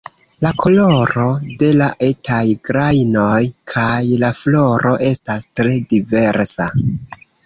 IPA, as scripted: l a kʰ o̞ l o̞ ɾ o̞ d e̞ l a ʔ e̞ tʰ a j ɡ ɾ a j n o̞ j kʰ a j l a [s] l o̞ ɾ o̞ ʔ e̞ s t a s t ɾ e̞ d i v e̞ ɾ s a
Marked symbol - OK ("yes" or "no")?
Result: no